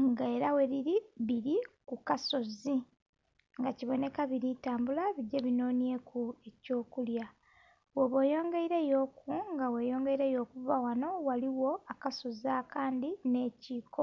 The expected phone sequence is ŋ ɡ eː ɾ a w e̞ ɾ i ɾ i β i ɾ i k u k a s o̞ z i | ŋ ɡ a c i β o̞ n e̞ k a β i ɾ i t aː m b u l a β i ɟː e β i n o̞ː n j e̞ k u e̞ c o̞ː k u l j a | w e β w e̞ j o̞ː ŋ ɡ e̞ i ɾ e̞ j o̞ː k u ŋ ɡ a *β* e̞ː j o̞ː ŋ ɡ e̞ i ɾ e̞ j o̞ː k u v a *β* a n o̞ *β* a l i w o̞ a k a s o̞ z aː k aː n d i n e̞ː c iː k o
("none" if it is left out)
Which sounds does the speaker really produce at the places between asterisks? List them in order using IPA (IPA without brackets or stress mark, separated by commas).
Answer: w, w, w